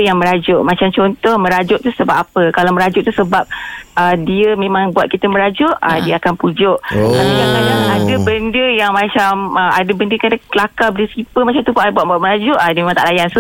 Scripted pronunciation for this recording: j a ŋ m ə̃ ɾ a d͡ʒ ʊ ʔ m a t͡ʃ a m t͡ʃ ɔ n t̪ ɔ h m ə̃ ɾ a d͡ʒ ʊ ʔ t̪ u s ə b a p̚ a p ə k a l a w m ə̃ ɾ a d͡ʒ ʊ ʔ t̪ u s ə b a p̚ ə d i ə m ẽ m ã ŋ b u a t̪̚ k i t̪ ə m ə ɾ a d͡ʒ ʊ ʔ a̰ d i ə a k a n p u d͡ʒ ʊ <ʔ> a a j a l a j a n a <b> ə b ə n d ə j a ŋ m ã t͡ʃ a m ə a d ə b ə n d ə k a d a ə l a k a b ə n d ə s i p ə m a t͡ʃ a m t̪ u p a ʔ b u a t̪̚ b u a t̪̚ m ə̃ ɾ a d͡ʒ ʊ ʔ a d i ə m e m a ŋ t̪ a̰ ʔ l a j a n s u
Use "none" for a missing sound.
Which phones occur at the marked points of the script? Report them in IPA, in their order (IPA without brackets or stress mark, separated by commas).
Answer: ʔ, d